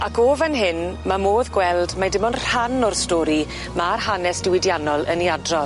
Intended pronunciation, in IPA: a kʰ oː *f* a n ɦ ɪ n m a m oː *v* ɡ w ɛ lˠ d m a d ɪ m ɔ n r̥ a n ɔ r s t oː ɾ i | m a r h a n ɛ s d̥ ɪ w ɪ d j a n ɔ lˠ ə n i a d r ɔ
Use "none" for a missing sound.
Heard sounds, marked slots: v, ð

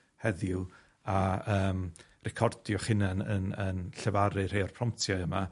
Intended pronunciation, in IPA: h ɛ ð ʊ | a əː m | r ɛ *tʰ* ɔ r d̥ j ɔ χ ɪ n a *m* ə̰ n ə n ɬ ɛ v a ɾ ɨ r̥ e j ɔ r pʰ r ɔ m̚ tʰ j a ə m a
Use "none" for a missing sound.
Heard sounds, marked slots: kʰ, n

